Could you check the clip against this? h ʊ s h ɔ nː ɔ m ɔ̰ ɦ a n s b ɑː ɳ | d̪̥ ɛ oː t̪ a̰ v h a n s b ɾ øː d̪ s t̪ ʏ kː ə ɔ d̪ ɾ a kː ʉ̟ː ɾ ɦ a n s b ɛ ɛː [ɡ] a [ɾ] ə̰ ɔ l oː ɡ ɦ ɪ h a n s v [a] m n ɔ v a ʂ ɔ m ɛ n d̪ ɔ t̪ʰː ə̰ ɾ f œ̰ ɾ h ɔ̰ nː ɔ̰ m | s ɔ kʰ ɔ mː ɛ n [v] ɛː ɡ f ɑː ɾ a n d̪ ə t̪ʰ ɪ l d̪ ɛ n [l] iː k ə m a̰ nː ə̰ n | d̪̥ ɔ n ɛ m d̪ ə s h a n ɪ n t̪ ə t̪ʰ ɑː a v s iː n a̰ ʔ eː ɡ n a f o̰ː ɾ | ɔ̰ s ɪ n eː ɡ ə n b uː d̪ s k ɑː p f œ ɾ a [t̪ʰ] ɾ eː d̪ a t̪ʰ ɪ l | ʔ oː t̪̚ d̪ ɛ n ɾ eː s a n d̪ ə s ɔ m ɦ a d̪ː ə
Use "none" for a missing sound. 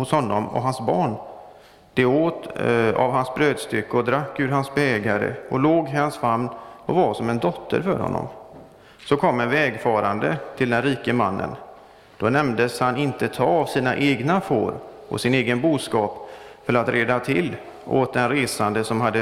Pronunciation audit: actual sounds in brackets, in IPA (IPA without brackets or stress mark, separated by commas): ɡ, ɾ, a, v, ɾ, t̪